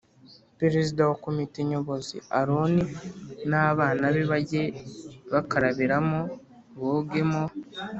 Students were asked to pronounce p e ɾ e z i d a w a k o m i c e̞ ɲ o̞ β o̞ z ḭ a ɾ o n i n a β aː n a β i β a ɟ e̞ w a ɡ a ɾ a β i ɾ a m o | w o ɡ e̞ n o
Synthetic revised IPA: p e ɾ e z i d a w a k o m i t e̞ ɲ o̞ β o̞ z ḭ a ɾ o n i n a β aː n a β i β a ɟ e̞ β a k a ɾ a β i ɾ a m o | β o ɡ e̞ m o

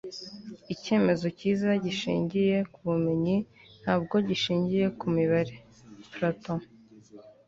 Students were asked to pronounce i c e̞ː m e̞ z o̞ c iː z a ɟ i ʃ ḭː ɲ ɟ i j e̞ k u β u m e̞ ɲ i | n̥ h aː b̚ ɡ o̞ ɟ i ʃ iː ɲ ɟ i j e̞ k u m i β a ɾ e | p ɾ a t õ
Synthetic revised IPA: i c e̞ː m e̞ z o̞ c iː z a ɟ i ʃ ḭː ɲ ɟ i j e̞ k u β u m e̞ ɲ i | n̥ h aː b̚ ɡ o̞ ɟ i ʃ iː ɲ ɟ i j e̞ k u m i β a ɾ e | p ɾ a t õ

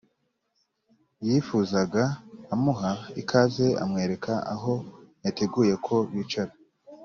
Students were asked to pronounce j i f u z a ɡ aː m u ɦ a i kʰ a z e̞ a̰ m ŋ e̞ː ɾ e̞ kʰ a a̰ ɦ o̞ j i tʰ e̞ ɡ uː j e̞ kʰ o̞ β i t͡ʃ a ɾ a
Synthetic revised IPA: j i f u z a ɡ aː m u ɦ a i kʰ a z e̞ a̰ m ŋ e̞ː ɾ e̞ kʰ a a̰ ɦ o̞ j a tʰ e̞ ɡ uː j e̞ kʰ o̞ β i t͡ʃ a ɾ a

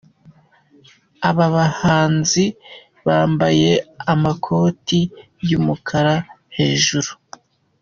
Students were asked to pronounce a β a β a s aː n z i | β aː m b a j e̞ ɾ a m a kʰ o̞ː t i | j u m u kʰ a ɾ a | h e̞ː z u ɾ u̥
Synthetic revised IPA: a β a β a h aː n z i | β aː m b a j e̞ a m a kʰ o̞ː t i | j u m u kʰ a ɾ a | h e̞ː ʒ u ɾ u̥

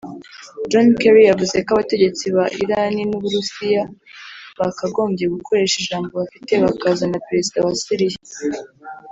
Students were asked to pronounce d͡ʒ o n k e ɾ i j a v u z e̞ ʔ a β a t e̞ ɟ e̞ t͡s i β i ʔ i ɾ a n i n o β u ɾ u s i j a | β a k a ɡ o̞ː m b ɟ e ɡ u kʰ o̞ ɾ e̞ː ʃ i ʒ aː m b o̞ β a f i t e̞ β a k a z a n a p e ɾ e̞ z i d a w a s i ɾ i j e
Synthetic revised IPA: d͡ʒ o n k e ɾ i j a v u z e̞ k a β a t e̞ ɟ e̞ t͡s i β a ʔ i ɾ a n i n u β u ɾ u s i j a | β a k a ɡ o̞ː m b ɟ e ɡ u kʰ o̞ ɾ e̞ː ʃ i ʒ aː m b o̞ β a f i t e̞ β a k a z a n a p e ɾ e̞ z i d a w a s i ɾ i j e

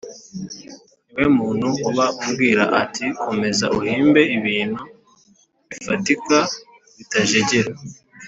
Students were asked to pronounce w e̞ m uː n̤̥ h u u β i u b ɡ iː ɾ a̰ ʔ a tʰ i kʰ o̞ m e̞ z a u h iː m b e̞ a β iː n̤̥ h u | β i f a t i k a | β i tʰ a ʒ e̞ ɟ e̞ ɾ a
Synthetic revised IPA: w e̞ m uː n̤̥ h u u β a u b ɡ iː ɾ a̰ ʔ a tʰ i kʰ o̞ m e̞ z a u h iː m b e̞ i β iː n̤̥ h u | β i f a t i k a | β i t a ʒ e̞ ɟ e̞ ɾ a

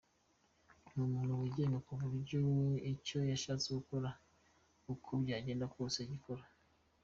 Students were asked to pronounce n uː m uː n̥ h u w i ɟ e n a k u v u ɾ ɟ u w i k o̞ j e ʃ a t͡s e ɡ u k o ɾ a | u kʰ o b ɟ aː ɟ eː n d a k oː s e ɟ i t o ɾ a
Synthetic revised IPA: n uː m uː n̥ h u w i ɟ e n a k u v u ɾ ɟ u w i c o̞ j a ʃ a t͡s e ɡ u k o ɾ a | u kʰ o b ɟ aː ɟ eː n d a k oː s e ɟ i k o ɾ a

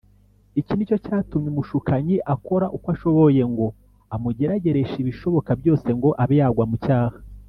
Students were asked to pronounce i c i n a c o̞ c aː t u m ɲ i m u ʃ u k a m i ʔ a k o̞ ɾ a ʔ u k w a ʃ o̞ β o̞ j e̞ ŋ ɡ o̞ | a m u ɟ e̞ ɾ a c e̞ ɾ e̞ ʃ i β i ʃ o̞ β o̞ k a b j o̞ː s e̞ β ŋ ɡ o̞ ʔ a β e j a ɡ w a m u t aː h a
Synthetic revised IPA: i c i n i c o̞ c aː t u m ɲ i m u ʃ u k a ɲ i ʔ a k o̞ ɾ a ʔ u k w a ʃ o̞ β o̞ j e̞ ŋ ɡ o̞ | a m u ɟ e̞ ɾ a ɟ e̞ ɾ e̞ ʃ i β i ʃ o̞ β o̞ k a b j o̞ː s e̞ ŋ ɡ o̞ ʔ a β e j a ɡ w a m u c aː h a

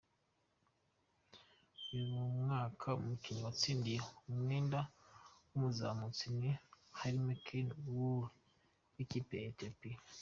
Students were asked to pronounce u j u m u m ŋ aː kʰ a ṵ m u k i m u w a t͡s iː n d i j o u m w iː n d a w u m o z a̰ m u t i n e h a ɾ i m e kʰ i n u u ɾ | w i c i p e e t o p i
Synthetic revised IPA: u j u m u m ŋ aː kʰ a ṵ m u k i ɲ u w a t͡s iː n d i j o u m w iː n d a w u m u z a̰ m u t͡s i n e h a ɾ i m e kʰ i n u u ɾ | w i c i p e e t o p i

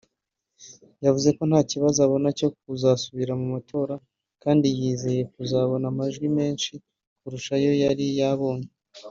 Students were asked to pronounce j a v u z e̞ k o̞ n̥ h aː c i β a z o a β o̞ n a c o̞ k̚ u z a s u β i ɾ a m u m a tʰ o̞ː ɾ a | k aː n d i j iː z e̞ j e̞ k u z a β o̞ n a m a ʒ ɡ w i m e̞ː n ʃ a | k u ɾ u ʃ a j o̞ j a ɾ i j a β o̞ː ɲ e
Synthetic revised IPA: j a v u z e̞ k o̞ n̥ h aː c i β a z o a β o̞ n a c o̞ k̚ u z a s u β i ɾ a m u m a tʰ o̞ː ɾ a | k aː n d i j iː z e̞ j e̞ k u z a β o̞ n a m a ʒ ɡ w i m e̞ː n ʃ i | k u ɾ u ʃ a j o̞ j a ɾ i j a β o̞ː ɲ e

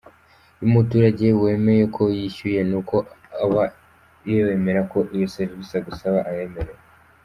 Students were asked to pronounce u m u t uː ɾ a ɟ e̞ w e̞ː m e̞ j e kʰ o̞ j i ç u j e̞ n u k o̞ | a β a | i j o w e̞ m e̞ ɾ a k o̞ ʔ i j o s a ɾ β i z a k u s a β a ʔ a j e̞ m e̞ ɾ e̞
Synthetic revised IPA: u m u t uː ɾ a ɟ e̞ w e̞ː m e̞ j e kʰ o̞ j i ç u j e̞ n u k o̞ | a β a | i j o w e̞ m e̞ ɾ a k o̞ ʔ i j o s e ɾ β i s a ɡ u s a β a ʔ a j e̞ m e̞ ɾ e̞

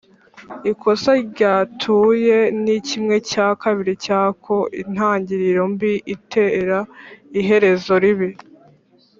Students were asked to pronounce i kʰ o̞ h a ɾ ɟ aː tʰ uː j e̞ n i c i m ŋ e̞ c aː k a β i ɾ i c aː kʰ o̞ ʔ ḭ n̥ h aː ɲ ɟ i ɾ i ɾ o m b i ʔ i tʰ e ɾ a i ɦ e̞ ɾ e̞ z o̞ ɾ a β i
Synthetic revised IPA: i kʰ o̞ s a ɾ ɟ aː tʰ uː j e̞ n i c i m ŋ e̞ c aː k a β i ɾ i c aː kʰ o̞ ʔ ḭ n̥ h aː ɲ ɟ i ɾ i ɾ o m b i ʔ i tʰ e ɾ a i ɦ e̞ ɾ e̞ z o̞ ɾ i β i

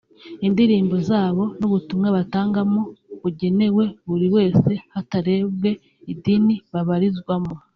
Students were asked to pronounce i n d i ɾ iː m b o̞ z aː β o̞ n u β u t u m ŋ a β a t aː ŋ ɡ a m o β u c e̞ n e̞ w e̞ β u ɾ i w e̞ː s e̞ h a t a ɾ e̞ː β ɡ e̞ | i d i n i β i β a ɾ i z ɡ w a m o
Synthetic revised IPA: i n d i ɾ iː m b o̞ z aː β o̞ n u β u t u m ŋ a β a t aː ŋ ɡ a m o β u ɟ e̞ n e̞ w e̞ β u ɾ i w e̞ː s e̞ h a t a ɾ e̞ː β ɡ e̞ | i d i n i β a β a ɾ i z ɡ w a m o

